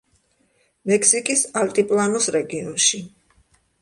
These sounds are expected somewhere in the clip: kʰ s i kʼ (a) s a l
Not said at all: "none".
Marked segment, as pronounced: i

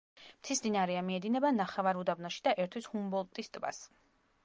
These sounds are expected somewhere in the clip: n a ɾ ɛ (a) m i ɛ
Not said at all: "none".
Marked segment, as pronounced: a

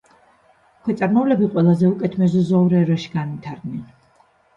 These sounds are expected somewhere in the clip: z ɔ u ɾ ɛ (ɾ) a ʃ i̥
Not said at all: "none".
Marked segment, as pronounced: ɾ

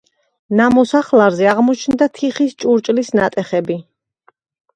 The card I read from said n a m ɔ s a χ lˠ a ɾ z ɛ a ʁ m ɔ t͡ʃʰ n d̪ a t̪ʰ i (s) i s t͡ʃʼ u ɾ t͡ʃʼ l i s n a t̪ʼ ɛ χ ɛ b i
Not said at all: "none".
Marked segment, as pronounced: χ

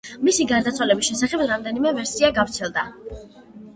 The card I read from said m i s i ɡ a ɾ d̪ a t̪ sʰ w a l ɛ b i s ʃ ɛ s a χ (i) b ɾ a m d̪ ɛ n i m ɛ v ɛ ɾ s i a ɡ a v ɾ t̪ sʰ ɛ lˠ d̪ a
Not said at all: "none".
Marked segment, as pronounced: ɛ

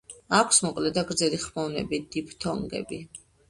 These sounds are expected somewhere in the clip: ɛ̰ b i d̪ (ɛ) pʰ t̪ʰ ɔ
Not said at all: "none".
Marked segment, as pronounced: i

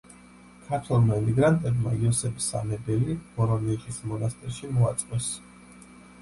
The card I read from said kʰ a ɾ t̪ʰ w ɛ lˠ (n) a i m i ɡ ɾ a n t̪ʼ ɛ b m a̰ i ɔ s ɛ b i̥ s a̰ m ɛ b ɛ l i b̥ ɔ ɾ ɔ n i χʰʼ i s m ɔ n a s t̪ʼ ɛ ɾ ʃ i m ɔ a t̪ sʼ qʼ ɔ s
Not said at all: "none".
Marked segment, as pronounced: m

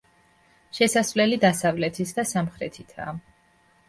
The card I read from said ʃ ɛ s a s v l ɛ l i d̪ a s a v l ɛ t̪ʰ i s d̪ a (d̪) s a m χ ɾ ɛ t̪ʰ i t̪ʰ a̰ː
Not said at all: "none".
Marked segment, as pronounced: none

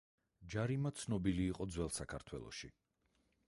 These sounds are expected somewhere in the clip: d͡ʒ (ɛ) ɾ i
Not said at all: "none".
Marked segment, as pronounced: a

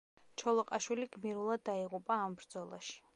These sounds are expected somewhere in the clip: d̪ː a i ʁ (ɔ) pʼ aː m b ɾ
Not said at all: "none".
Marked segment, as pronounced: u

